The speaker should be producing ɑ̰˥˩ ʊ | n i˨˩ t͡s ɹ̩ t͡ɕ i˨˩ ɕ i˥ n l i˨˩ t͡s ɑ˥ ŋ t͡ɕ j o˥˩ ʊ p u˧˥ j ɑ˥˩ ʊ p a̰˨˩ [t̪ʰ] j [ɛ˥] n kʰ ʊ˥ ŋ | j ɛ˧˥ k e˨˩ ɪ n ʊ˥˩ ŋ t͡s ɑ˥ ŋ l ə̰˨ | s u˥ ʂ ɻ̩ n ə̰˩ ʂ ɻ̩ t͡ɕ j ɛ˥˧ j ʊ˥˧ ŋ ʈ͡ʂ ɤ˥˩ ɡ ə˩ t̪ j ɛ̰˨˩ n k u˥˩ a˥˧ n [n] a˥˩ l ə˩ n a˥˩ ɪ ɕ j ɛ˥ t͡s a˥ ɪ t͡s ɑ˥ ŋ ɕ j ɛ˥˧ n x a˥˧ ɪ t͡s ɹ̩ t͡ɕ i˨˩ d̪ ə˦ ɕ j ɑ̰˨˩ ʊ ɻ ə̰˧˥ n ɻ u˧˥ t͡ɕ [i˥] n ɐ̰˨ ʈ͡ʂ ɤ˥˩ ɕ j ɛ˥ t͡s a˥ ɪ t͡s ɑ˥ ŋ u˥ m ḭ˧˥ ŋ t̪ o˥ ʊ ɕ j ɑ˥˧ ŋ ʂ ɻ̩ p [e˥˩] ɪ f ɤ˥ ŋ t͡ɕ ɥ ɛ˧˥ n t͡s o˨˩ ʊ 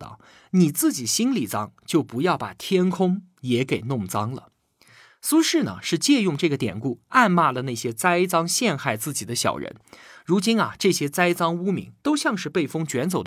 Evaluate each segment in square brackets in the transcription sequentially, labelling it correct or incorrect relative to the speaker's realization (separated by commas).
correct, correct, incorrect, correct, correct